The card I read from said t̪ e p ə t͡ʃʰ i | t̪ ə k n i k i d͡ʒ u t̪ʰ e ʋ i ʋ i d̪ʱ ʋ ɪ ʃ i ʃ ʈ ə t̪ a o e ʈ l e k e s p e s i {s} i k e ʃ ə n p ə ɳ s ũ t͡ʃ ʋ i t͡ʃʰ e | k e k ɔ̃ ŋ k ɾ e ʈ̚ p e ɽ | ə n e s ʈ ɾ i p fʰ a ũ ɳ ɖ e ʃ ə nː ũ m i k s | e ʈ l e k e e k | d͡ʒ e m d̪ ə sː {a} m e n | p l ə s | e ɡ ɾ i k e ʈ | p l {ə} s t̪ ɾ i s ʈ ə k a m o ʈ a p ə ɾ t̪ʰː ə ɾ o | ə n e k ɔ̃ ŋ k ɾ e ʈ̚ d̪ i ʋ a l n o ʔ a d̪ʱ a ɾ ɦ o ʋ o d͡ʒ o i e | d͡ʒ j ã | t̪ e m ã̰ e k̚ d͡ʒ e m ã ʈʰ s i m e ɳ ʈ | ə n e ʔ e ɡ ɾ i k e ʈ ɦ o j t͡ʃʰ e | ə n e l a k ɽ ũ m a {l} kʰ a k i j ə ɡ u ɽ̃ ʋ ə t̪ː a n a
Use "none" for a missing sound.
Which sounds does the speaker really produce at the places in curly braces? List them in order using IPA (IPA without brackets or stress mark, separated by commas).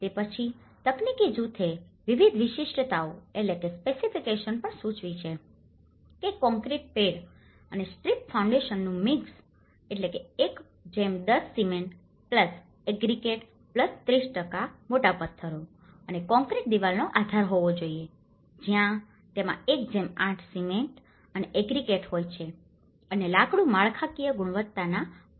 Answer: f, i, ə, ɭ